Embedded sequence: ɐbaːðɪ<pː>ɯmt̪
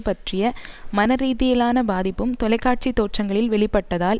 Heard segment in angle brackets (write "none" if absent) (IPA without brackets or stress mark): pː